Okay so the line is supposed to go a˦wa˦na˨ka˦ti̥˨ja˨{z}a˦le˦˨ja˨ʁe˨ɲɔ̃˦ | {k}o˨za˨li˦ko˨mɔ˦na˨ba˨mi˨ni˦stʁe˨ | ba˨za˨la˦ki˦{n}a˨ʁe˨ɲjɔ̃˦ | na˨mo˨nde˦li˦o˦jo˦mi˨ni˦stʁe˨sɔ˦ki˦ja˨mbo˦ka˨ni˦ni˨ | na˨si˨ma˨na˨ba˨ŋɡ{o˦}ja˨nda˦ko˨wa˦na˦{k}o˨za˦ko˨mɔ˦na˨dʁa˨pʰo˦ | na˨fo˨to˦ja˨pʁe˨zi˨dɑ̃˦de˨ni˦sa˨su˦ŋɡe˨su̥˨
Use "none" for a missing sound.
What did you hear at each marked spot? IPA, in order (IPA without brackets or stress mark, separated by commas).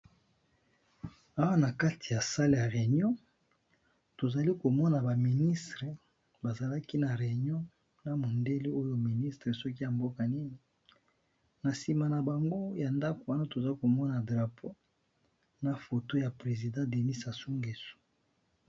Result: s, t, n, o˦, t